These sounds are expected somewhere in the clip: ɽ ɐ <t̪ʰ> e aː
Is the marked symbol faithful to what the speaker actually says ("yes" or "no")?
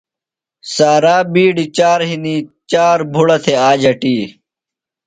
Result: yes